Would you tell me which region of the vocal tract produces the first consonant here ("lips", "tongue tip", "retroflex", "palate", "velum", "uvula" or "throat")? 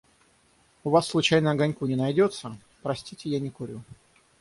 lips